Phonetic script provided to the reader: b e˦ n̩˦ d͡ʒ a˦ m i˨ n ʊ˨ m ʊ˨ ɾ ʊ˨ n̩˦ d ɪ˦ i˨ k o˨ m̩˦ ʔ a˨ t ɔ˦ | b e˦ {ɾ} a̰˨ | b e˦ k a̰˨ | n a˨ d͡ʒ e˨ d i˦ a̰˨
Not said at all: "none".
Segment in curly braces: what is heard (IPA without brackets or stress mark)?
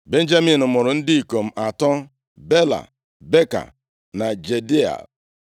l